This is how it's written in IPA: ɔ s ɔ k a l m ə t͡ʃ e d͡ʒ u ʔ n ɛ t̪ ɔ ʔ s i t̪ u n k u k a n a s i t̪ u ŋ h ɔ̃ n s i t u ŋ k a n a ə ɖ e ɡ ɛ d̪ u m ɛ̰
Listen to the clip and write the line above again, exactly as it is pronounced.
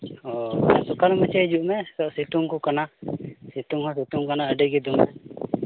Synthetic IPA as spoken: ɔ s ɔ k a l m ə t͡ʃ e d͡ʒ u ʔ m ɛ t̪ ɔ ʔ s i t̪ u ŋ k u k a n a s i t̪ u ŋ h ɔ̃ s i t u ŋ k a n a ə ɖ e ɡ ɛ d̪ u m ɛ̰